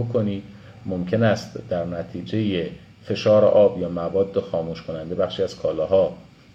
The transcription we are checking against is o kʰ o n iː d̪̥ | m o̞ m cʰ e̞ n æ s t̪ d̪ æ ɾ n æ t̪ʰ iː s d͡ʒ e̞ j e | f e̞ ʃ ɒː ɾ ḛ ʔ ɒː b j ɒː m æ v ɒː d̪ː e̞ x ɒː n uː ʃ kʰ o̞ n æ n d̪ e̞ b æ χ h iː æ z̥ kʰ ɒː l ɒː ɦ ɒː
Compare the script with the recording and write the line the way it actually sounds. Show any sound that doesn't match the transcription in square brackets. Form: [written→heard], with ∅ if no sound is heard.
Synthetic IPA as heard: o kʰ o n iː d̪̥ | m o̞ m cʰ e̞ n æ s t̪ d̪ æ ɾ n æ t̪ʰ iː [s→∅] d͡ʒ e̞ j e | f e̞ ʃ ɒː ɾ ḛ ʔ ɒː b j ɒː m æ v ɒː d̪ː e̞ x ɒː [n→m] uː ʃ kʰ o̞ n æ n d̪ e̞ b æ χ [h→ʃ] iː æ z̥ kʰ ɒː l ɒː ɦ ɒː